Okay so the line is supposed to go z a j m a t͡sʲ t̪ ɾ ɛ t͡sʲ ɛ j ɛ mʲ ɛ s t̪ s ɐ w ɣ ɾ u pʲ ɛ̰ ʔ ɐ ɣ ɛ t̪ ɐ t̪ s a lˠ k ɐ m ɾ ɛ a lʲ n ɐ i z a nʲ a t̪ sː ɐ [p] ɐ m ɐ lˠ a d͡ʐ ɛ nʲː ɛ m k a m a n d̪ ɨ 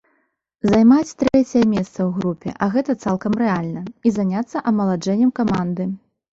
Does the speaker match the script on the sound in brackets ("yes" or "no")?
no